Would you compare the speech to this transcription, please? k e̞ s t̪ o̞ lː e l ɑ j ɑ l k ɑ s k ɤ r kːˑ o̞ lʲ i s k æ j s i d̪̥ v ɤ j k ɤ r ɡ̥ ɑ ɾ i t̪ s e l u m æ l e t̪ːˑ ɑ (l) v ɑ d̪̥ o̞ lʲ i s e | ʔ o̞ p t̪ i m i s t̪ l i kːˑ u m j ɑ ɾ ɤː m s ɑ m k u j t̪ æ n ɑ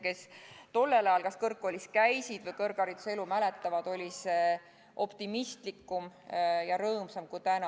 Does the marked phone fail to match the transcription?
yes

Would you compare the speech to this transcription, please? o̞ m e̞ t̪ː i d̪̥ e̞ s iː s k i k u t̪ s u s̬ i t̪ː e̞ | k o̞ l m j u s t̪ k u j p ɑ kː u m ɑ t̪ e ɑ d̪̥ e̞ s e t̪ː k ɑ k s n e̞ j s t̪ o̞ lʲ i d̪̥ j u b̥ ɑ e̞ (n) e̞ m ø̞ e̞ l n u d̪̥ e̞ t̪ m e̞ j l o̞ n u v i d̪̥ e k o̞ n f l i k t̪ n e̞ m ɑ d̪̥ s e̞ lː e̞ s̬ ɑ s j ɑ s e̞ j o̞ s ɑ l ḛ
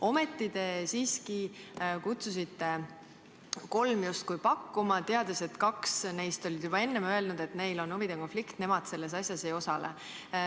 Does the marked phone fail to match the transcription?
yes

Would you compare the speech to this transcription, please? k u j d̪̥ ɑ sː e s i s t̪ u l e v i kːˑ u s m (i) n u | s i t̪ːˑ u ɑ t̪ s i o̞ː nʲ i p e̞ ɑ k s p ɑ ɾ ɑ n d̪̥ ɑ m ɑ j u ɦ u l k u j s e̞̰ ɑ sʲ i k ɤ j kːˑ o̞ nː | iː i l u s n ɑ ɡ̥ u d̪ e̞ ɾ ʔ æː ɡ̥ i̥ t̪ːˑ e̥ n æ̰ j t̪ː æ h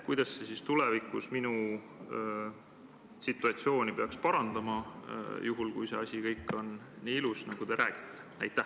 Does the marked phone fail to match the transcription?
no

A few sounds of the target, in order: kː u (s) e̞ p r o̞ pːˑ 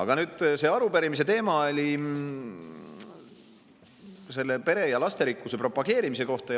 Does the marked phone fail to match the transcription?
no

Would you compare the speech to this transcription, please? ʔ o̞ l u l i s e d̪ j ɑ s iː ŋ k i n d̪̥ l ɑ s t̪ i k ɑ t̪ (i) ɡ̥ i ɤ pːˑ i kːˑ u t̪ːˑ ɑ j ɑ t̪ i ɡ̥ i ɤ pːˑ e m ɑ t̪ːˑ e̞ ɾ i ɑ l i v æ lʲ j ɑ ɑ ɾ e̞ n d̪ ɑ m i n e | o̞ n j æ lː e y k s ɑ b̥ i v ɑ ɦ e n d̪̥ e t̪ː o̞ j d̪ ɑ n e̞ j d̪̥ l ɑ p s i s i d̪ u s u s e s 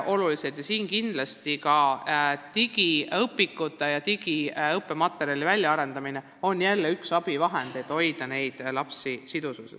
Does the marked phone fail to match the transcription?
no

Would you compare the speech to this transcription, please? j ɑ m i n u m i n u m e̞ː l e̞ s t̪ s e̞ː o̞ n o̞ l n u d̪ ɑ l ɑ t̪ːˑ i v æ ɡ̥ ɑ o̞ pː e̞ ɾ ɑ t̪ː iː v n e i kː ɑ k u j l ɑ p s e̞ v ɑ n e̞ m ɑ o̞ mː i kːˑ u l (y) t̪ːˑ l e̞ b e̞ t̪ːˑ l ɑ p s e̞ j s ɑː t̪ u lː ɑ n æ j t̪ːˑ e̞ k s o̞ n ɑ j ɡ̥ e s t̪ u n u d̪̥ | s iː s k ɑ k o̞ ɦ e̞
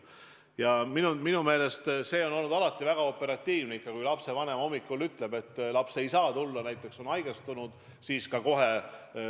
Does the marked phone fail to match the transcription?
no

